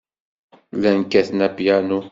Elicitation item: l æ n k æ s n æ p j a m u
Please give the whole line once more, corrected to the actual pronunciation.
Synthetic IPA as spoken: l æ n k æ θ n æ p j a n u